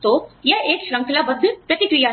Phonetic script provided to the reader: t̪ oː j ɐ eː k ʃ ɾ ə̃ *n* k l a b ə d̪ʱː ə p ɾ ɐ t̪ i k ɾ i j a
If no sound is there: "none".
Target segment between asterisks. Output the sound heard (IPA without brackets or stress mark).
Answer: ŋ